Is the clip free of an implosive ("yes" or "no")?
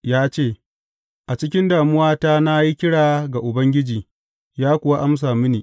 yes